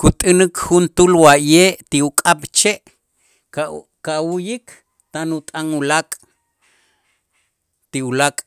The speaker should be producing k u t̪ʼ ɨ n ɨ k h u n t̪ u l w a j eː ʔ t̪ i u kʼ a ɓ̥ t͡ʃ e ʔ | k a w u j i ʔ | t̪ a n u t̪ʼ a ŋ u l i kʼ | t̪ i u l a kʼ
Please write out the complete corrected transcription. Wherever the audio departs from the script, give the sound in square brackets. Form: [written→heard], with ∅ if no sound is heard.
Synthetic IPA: k u t̪ʼ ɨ n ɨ k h u n t̪ u l w a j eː ʔ t̪ i u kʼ a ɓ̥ t͡ʃ e ʔ | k a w u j i [ʔ→k] | t̪ a n u t̪ʼ a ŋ u l [i→a] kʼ | t̪ i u l a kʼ